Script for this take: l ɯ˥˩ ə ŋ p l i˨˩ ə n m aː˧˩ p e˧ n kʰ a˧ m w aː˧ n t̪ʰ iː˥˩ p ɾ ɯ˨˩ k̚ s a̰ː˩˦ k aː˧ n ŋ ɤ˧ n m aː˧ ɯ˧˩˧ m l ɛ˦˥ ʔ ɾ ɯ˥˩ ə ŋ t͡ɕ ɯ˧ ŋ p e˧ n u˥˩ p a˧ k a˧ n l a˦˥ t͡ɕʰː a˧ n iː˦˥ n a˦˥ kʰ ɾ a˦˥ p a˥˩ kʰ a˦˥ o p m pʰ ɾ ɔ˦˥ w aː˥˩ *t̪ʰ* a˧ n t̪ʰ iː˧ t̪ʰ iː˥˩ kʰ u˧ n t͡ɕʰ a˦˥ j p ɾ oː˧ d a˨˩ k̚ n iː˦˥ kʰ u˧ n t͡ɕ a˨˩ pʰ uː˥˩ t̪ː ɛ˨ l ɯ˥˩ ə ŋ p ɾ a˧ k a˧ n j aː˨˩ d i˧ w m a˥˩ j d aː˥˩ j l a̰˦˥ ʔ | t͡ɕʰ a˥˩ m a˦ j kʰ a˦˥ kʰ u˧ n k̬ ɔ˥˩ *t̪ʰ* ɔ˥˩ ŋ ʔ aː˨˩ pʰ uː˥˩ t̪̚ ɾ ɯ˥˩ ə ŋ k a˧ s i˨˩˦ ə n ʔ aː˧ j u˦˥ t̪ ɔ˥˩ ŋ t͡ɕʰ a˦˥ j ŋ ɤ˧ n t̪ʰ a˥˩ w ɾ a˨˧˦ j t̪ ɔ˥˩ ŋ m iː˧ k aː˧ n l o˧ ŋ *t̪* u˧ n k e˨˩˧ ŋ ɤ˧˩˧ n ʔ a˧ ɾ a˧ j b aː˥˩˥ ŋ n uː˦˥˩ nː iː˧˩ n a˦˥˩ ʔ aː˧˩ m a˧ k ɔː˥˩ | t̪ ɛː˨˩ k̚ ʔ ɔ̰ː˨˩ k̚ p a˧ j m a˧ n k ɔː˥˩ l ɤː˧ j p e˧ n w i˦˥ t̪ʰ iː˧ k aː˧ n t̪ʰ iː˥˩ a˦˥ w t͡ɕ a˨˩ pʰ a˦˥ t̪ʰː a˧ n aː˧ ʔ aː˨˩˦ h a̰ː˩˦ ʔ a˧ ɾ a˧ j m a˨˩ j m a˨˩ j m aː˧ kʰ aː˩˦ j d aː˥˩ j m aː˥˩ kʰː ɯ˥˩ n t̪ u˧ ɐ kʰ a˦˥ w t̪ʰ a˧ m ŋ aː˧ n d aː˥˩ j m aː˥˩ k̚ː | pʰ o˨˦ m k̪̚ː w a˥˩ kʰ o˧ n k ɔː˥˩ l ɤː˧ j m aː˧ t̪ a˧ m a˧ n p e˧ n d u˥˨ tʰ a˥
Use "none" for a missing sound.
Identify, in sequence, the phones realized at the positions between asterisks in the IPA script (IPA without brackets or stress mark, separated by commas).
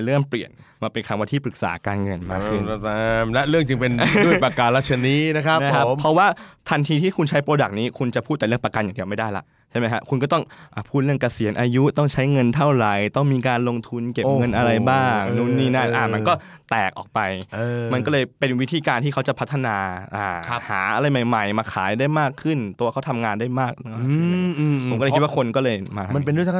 t̪ʰ, t̪, t̪ʰ